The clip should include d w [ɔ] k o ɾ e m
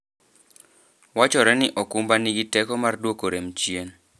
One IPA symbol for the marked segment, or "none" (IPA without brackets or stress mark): o